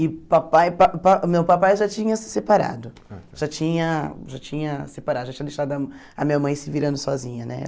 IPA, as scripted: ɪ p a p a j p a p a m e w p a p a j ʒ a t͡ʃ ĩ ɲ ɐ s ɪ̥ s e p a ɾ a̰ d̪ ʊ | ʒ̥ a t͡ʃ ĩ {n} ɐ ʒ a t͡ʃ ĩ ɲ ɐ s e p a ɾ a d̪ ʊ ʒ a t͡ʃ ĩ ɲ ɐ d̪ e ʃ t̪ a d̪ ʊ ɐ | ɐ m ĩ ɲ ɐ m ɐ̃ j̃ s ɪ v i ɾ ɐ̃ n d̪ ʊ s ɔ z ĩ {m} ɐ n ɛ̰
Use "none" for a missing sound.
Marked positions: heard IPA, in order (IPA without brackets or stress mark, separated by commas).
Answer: ɲ, ɲ